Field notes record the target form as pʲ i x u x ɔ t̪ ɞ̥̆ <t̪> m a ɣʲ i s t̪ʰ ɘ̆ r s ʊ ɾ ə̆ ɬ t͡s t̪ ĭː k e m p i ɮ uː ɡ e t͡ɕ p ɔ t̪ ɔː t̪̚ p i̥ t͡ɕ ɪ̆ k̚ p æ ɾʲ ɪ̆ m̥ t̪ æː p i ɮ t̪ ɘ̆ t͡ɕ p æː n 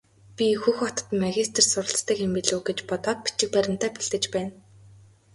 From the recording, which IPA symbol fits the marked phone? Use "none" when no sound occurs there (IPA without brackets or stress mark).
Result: t̪